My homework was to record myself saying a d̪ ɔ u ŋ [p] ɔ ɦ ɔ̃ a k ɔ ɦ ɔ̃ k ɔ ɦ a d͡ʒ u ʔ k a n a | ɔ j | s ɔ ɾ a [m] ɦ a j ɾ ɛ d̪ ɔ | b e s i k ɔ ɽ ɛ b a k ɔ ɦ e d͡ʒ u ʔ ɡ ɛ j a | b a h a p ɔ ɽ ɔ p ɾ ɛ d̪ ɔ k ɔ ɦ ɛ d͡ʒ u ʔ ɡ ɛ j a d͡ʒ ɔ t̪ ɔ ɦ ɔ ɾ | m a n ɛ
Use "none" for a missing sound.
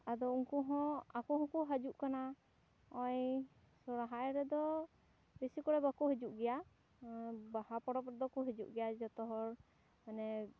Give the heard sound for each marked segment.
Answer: k, none

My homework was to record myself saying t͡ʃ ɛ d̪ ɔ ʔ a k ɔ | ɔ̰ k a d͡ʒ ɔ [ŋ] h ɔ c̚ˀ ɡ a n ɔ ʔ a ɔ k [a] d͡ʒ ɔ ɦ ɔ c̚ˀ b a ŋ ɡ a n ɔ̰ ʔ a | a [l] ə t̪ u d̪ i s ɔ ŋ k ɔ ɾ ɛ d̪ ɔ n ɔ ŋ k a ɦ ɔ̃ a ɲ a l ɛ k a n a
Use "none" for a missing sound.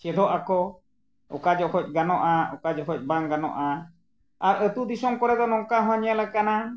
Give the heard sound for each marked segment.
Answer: none, a, ɾ

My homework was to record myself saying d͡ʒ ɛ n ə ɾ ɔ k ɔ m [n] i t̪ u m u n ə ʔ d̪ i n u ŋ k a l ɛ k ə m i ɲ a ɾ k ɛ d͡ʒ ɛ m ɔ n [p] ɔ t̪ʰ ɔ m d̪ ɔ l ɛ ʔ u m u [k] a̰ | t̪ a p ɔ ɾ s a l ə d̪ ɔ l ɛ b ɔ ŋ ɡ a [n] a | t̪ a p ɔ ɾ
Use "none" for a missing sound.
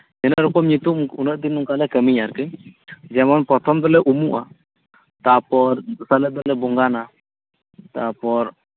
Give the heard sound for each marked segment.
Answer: ɲ, p, ʔ, n

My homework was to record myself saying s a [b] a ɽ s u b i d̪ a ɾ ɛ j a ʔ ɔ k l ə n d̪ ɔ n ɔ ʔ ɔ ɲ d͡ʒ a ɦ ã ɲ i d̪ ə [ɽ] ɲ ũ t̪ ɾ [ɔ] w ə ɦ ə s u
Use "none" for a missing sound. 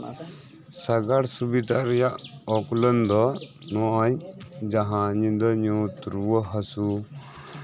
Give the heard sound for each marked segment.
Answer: ɡ, none, u

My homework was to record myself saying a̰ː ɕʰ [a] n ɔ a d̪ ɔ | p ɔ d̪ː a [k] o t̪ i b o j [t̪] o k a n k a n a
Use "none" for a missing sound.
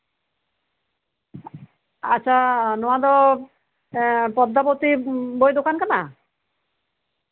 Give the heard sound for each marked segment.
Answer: a, p, d̪

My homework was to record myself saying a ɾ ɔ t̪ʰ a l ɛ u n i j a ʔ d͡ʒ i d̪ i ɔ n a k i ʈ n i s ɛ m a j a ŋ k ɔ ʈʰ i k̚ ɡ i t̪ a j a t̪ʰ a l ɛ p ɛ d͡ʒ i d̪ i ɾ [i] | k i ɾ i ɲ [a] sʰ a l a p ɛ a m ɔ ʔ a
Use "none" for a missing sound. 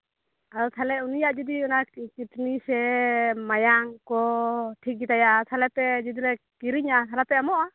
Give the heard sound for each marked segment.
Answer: ɛ, a

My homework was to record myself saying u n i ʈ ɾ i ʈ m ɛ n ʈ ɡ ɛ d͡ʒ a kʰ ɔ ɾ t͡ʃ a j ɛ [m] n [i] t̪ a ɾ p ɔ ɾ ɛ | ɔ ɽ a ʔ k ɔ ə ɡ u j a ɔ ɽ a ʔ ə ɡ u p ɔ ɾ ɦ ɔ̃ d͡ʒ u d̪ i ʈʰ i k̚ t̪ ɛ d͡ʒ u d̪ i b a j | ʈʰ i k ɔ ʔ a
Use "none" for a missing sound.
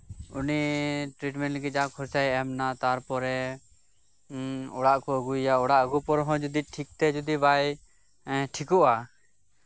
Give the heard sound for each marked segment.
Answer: m, a

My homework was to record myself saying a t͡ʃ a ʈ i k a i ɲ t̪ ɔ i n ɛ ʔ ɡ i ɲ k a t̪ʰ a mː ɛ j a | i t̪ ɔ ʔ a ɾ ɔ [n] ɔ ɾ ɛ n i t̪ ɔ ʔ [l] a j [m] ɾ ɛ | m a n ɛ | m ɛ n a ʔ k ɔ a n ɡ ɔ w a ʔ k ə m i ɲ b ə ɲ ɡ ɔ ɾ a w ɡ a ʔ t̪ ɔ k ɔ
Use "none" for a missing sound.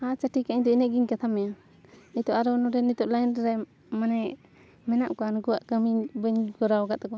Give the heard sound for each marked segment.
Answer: n, l, n

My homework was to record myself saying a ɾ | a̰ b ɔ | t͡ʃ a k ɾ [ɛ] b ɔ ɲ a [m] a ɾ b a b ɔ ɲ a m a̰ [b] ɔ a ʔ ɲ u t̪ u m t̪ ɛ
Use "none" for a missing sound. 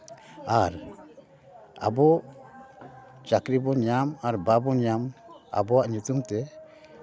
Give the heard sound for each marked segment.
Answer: i, m, b

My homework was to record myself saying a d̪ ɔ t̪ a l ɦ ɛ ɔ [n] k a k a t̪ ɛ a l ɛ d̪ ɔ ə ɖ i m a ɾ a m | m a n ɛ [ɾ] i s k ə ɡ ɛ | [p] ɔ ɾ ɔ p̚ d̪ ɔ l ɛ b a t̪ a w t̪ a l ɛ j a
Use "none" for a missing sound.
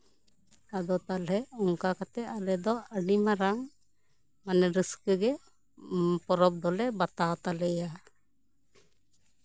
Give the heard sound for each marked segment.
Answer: ŋ, ɾ, p

